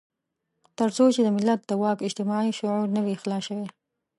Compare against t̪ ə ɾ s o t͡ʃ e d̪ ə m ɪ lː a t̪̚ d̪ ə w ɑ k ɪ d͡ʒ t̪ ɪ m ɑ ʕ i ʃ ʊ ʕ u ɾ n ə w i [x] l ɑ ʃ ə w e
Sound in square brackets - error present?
no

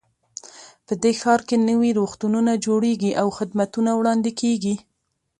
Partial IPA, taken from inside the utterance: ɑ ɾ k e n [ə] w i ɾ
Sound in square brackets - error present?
no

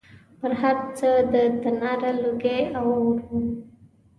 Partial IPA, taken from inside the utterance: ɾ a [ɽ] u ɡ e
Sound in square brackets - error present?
yes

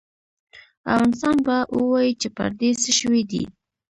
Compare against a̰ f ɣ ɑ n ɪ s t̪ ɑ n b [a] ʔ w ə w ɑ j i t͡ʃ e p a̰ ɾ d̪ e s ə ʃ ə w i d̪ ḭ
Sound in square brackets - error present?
no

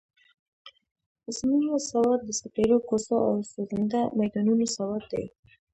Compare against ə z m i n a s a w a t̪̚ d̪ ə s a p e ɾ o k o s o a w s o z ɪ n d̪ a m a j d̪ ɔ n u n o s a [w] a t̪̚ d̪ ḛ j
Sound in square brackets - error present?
no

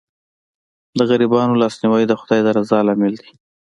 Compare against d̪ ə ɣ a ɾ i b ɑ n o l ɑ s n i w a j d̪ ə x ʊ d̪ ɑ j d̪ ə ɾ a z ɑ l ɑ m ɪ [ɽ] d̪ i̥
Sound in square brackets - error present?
yes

